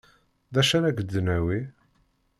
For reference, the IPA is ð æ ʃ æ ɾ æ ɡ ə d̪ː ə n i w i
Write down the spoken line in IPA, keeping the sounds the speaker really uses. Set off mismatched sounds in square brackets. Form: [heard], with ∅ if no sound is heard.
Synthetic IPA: ð æ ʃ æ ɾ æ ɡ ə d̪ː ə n [æ] w i